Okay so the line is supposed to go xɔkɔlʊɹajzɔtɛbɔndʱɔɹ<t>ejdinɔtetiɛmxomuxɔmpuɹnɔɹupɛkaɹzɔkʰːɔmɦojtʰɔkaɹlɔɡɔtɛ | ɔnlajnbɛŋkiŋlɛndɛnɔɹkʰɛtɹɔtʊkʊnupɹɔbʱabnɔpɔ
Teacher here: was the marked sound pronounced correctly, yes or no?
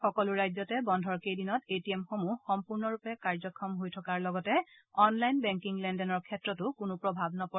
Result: no